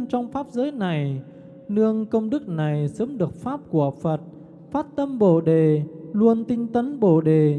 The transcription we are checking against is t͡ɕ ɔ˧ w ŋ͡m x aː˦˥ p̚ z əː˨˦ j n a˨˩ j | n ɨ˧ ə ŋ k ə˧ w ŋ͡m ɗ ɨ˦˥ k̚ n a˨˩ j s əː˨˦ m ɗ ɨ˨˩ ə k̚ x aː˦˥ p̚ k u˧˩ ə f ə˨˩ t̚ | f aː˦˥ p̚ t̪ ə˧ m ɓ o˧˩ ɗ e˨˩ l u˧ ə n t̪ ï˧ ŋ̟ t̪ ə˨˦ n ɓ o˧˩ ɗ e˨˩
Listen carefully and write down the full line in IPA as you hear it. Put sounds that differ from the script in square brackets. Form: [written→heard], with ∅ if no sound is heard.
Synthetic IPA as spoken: t͡ɕ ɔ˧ w ŋ͡m [x→f] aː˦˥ p̚ z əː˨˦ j n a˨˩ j | n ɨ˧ ə ŋ k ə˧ w ŋ͡m ɗ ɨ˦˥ k̚ n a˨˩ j s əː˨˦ m ɗ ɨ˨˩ ə k̚ [x→f] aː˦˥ p̚ k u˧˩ ə f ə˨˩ t̚ | f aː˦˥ [p̚→t̚] t̪ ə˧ m ɓ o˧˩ ɗ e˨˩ l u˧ ə n t̪ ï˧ ŋ̟ t̪ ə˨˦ n ɓ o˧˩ ɗ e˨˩